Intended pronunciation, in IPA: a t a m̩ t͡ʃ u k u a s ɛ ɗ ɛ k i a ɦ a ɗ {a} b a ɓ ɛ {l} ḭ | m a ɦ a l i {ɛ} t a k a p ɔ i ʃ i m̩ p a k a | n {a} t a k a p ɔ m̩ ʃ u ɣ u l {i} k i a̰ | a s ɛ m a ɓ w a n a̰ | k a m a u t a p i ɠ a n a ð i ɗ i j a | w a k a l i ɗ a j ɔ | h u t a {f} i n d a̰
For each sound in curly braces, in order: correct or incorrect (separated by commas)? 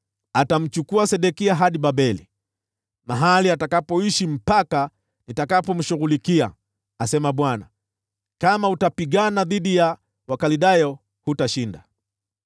incorrect, correct, incorrect, incorrect, correct, incorrect